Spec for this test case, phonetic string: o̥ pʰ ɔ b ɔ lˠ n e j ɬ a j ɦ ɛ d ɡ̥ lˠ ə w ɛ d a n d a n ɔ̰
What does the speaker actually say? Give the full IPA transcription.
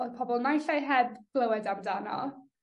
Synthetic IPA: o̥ pʰ ɔ b ɔ lˠ n a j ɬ a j ɦ ɛ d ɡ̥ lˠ ə w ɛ d a m d a n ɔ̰